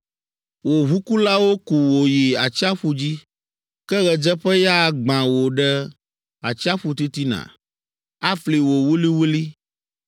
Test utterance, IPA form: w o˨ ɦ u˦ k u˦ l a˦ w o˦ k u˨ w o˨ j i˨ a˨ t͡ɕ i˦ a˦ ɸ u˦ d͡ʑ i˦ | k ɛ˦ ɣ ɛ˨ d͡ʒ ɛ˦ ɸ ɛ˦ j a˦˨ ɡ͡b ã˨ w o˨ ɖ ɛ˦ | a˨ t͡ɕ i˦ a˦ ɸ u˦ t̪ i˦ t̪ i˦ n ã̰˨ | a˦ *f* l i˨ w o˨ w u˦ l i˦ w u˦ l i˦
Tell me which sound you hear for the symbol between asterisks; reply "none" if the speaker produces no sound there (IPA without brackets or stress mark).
f